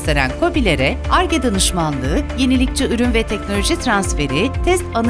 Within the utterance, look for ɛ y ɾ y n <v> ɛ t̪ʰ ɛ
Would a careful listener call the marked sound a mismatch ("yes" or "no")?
no